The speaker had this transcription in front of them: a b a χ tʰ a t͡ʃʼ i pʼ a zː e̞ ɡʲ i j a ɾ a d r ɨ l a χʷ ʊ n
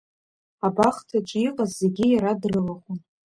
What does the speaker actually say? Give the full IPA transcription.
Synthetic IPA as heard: a b a χ tʰ a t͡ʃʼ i qʼ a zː e̞ ɡʲ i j a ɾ a d r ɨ l a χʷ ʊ n